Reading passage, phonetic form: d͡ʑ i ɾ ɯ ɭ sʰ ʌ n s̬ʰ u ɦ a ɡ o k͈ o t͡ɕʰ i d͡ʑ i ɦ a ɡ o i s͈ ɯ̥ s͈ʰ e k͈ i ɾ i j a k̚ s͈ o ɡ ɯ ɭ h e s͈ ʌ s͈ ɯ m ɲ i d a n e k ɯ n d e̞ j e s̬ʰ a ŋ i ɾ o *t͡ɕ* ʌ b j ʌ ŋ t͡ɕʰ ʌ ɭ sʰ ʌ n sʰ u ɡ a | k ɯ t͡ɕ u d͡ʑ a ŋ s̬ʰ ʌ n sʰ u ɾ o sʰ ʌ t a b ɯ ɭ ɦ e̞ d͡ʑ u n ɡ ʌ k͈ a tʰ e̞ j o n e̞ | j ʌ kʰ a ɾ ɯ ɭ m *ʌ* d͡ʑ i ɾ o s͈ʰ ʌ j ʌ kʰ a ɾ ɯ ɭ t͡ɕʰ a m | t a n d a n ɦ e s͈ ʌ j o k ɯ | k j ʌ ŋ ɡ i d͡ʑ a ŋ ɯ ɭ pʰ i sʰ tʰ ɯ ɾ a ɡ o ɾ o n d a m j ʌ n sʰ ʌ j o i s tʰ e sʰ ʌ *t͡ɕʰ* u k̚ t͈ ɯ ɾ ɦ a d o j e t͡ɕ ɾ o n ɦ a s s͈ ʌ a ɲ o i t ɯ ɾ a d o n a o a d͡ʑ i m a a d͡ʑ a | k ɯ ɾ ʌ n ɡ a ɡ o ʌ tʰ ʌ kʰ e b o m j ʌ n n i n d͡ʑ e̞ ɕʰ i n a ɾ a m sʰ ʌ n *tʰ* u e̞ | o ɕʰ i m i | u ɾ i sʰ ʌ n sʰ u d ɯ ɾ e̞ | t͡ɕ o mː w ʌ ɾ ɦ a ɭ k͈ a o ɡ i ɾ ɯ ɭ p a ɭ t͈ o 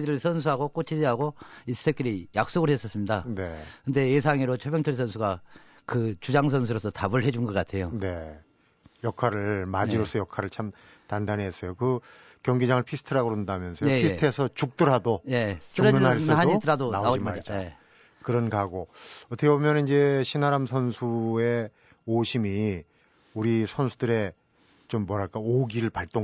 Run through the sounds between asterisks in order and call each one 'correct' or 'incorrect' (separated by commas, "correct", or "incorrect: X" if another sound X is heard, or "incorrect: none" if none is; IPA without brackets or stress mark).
incorrect: t͡ɕʰ, incorrect: a, incorrect: t͡ɕ, incorrect: sʰ